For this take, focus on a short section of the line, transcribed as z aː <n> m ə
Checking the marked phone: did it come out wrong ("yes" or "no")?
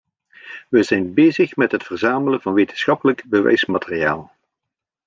yes